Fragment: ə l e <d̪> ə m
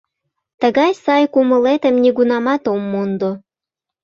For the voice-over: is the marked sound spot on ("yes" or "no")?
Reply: no